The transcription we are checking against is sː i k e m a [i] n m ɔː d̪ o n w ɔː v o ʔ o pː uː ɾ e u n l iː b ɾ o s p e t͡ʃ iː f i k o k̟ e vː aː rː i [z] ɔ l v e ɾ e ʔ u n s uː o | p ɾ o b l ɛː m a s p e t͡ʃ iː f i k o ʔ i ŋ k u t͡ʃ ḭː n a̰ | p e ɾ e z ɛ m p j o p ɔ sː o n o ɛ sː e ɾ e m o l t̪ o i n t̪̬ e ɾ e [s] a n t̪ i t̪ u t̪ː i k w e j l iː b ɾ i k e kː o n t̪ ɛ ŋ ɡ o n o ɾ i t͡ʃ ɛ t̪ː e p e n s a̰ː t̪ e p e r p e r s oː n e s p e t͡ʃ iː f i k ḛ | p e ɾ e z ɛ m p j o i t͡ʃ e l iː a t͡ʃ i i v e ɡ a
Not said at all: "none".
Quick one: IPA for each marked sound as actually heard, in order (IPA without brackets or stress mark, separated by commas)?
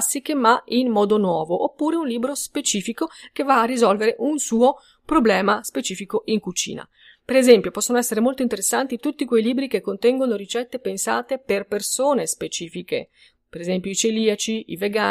i, z, sː